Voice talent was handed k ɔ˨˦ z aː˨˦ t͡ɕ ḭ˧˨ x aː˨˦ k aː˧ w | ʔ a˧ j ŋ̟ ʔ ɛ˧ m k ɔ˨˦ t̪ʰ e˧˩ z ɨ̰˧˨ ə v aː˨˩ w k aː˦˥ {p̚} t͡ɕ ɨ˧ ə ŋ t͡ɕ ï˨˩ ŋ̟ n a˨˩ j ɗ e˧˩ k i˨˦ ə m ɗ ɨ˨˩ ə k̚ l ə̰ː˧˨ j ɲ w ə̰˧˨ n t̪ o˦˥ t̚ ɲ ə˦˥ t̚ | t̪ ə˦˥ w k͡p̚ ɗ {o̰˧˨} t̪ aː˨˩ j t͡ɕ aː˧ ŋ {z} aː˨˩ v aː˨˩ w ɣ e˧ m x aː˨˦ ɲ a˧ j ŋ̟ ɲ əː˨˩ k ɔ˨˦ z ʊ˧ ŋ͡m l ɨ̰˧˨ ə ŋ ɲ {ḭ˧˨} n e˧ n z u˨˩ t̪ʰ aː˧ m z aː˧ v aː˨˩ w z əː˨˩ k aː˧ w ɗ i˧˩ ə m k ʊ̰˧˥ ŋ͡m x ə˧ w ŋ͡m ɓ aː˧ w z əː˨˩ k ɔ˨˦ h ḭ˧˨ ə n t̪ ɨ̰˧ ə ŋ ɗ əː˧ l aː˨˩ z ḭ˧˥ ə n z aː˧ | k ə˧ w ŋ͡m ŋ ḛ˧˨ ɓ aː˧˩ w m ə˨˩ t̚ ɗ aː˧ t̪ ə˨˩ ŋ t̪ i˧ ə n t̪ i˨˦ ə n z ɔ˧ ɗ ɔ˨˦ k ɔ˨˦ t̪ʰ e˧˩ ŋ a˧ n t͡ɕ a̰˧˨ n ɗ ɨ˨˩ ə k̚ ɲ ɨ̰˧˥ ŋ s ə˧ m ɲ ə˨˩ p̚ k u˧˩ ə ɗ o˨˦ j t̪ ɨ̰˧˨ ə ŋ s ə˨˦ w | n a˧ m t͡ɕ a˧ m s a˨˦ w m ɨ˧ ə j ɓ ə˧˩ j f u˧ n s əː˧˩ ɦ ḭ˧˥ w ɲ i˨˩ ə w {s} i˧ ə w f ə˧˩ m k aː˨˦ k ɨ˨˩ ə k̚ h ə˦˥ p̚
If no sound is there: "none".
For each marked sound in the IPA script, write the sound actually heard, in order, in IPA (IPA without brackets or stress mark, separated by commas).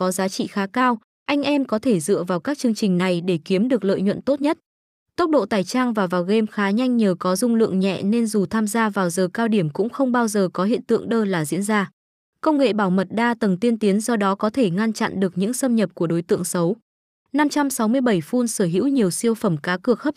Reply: k̚, o̰˧˨, v, ɛ̰˧˨, s